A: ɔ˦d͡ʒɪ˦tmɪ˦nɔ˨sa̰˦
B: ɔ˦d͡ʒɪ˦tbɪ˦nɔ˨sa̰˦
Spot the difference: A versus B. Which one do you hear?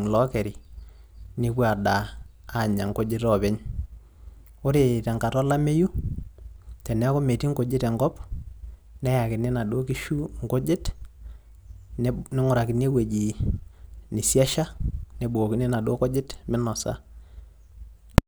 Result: A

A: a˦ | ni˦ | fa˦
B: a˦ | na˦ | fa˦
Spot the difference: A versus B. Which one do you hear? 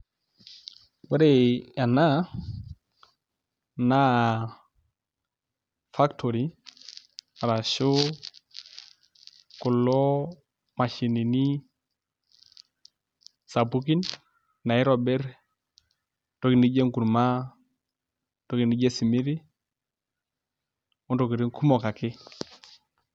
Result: B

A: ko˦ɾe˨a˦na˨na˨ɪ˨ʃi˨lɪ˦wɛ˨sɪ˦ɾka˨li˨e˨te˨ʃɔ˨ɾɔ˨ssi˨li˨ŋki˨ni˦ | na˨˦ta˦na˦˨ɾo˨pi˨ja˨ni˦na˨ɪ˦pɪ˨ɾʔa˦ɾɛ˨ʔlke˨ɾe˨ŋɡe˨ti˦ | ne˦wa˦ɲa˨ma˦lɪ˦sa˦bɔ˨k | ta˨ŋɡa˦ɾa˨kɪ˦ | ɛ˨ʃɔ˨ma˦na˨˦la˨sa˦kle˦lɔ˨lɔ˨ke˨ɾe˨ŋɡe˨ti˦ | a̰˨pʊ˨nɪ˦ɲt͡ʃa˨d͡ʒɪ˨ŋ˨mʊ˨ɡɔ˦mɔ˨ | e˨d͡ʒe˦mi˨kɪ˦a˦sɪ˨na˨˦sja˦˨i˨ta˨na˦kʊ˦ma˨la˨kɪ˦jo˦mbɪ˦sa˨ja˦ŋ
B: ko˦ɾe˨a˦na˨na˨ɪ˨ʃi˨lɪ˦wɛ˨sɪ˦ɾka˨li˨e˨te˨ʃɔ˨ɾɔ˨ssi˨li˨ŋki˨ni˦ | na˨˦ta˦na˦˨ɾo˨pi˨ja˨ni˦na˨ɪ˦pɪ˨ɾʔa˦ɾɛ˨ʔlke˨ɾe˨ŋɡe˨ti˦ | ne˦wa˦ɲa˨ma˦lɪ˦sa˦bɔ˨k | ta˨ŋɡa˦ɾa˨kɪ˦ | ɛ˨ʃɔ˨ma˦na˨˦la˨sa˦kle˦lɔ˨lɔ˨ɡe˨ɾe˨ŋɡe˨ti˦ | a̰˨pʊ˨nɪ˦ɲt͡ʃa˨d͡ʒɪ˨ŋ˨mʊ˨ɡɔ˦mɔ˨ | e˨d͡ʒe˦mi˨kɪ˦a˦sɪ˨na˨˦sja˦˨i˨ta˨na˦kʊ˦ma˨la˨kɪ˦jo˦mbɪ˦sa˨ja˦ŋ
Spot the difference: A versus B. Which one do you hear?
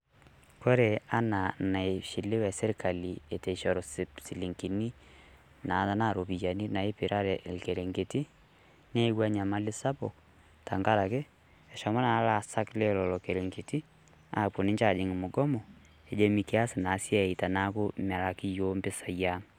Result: A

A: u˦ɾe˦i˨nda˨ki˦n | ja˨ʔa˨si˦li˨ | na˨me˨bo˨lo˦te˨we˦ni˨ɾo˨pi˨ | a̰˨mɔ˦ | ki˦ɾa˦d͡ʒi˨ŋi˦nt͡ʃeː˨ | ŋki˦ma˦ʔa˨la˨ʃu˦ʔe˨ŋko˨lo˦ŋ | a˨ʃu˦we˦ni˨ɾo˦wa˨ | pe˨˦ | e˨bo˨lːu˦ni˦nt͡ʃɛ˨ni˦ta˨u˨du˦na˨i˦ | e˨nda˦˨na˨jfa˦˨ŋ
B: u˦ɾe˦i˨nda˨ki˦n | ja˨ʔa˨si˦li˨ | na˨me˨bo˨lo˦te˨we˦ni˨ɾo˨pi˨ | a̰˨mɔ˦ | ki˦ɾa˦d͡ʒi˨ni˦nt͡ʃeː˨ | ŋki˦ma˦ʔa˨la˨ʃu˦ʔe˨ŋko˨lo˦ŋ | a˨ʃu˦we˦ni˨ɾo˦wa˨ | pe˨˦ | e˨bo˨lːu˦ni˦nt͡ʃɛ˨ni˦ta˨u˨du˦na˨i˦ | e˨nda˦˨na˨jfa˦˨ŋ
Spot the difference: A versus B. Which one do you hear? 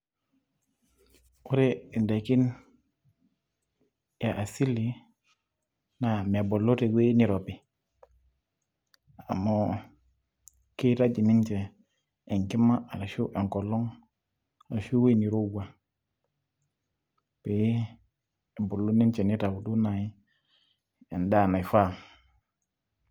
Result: B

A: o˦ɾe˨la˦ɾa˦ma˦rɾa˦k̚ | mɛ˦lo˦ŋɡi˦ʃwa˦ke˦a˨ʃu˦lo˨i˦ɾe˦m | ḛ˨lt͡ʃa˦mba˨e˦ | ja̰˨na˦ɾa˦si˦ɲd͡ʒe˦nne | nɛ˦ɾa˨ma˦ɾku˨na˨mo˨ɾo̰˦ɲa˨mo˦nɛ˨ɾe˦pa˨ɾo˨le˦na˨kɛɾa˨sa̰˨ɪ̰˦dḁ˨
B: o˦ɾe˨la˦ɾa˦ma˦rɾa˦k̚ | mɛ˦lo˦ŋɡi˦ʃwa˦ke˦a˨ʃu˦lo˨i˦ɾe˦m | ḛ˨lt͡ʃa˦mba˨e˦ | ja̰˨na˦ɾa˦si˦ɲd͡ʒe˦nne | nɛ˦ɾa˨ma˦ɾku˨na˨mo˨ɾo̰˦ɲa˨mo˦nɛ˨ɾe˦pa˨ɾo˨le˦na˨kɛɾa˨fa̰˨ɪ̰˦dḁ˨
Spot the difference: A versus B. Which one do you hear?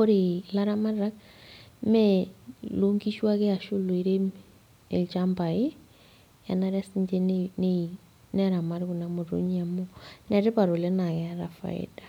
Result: B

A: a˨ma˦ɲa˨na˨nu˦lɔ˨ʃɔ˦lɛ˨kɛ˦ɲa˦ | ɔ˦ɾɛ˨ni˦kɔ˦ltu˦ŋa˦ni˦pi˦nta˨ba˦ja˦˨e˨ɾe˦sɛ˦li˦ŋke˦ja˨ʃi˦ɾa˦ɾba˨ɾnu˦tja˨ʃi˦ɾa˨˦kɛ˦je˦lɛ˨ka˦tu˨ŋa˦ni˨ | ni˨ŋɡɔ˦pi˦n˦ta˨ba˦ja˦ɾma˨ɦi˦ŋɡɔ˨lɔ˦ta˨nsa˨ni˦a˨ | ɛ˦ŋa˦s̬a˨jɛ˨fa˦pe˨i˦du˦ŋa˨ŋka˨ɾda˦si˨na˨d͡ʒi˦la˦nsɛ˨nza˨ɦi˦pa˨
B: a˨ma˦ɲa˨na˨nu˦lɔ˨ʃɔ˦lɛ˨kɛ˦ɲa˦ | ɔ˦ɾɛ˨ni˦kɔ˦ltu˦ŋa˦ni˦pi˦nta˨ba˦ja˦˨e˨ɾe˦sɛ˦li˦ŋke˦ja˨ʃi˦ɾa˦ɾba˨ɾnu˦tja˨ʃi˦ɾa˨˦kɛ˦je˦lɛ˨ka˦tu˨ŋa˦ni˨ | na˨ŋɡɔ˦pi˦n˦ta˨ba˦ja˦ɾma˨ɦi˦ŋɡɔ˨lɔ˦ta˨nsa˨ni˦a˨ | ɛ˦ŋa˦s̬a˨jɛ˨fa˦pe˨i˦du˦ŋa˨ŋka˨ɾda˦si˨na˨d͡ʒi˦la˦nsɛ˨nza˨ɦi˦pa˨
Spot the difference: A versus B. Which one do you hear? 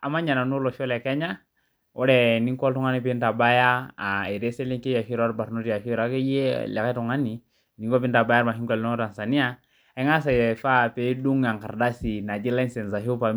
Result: A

